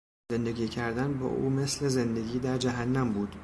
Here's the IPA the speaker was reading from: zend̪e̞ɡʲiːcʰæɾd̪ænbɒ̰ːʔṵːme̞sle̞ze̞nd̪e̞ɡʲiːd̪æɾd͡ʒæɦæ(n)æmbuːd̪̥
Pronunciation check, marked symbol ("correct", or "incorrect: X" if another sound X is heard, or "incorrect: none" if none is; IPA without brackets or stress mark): incorrect: nː